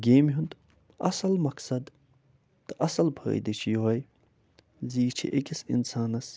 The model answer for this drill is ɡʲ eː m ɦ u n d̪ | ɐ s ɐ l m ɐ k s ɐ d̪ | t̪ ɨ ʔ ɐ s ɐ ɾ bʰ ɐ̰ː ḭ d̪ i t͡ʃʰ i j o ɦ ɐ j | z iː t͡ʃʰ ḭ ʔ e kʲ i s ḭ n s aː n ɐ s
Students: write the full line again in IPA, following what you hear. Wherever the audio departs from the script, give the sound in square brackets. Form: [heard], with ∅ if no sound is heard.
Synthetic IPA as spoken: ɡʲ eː m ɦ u n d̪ | ɐ s ɐ l m ɐ k s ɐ d̪ | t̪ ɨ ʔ ɐ s ɐ [l] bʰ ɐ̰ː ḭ d̪ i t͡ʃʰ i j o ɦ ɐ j | z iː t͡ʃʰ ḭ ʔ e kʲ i s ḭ n s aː n ɐ s